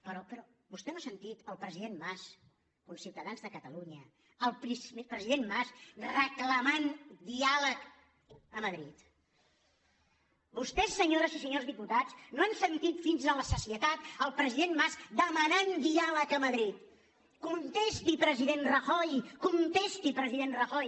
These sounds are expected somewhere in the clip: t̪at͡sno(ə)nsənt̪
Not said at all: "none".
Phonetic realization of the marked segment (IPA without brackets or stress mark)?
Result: a